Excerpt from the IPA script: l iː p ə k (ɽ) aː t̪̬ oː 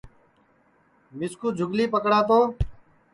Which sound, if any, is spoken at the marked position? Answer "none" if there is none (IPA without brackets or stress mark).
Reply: ɽ